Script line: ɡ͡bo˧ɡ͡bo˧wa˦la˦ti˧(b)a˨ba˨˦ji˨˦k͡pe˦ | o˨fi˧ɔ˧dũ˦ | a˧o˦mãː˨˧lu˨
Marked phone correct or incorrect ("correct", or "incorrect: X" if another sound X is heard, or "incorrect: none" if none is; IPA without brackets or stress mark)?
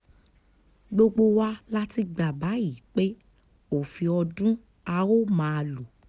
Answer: incorrect: ɡ͡b